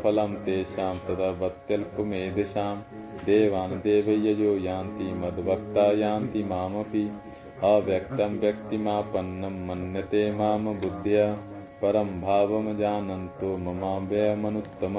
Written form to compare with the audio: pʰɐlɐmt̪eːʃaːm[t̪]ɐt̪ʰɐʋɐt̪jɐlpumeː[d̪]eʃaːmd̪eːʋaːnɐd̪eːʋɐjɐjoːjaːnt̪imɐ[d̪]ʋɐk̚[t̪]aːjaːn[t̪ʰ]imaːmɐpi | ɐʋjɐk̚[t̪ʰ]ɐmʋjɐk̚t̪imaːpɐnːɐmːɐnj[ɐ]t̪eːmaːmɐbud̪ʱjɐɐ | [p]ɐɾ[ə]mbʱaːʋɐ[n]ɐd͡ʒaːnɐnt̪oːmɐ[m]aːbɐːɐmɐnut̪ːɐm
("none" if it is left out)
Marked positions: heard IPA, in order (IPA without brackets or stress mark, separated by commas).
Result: t̪, d̪, d̪, t̪, t̪, t̪, ɐ, p, ɐ, m, m